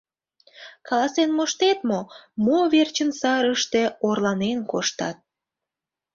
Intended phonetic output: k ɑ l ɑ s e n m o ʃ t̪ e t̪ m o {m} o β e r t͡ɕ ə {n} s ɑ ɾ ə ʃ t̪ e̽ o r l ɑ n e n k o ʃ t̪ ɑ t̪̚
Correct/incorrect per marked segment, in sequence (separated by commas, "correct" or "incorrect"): correct, correct